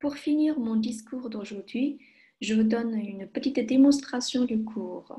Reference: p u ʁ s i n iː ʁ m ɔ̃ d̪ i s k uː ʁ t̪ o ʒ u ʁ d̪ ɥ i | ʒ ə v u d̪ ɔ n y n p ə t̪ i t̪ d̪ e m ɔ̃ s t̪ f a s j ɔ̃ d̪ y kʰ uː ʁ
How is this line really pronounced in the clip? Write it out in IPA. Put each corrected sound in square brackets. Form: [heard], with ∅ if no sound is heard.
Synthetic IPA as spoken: p u ʁ [f] i n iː ʁ m ɔ̃ d̪ i s k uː ʁ [d̪] o ʒ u ʁ d̪ ɥ i | ʒ ə v u d̪ ɔ n y n p ə t̪ i t̪ d̪ e m ɔ̃ s t̪ [χ] a s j ɔ̃ d̪ y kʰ uː ʁ